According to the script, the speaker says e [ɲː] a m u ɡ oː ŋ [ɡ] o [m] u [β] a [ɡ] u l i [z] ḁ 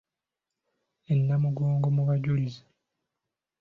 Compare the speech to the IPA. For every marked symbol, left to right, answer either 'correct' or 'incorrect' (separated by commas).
incorrect, correct, correct, correct, incorrect, correct